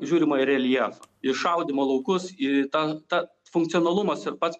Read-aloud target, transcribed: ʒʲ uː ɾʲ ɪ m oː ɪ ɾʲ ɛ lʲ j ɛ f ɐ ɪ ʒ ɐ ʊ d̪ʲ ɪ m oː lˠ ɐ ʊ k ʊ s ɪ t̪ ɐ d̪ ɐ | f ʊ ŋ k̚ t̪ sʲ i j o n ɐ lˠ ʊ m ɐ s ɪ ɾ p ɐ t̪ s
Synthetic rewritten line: ʒʲ uː ɾʲ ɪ m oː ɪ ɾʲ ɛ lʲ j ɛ f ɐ ɪ ʃ ɐ ʊ d̪ʲ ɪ m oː lˠ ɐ ʊ k ʊ s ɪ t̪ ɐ t̪ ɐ | f ʊ ŋ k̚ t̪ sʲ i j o n ɐ lˠ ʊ m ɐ s ɪ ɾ p ɐ t̪ s

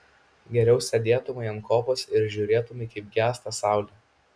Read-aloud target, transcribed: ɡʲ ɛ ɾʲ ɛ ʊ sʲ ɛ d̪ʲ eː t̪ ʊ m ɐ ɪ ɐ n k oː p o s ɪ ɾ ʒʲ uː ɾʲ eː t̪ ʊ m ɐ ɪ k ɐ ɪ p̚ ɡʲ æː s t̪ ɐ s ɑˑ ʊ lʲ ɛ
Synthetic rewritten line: ɡʲ ɛ ɾʲ ɛ ʊ sʲ ɛ d̪ʲ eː t̪ ʊ m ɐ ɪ ɐ n k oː p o s ɪ ɾ ʒʲ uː ɾʲ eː t̪ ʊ m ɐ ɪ k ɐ ɪ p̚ ɡʲ æː s t̪ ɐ s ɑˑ ʊ lʲ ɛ

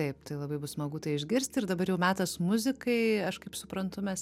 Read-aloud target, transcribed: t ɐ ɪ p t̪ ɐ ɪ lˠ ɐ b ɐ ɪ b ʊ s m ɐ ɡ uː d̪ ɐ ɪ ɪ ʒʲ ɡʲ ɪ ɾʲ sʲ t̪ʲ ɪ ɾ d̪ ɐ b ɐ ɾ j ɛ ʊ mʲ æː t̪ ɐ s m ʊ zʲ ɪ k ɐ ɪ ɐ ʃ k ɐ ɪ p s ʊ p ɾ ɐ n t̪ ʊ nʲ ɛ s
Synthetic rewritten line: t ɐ ɪ p t̪ ɐ ɪ lˠ ɐ b ɐ ɪ b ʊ s m ɐ ɡ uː t̪ ɐ ɪ ɪ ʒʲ ɡʲ ɪ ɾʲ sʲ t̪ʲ ɪ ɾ d̪ ɐ b ɐ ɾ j ɛ ʊ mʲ æː t̪ ɐ s m ʊ zʲ ɪ k ɐ ɪ ɐ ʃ k ɐ ɪ p s ʊ p ɾ ɐ n t̪ ʊ mʲ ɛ s

